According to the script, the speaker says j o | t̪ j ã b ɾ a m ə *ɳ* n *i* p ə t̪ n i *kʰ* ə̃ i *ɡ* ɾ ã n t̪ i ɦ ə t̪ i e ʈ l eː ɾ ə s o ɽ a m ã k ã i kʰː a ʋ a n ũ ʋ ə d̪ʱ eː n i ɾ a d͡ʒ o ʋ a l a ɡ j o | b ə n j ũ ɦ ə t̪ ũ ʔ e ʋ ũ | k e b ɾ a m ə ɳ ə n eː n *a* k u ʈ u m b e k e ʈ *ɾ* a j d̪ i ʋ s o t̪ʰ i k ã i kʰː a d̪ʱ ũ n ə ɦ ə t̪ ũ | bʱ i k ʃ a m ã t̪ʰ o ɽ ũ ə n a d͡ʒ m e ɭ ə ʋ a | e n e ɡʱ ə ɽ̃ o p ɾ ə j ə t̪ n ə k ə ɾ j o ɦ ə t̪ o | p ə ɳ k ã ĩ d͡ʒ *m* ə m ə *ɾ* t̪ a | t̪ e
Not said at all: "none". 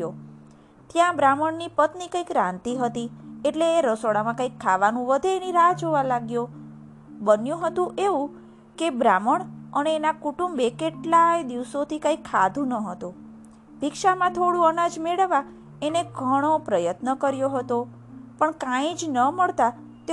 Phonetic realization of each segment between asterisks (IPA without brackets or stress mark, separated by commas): ɳ, i, k, k, a, l, n, ɭ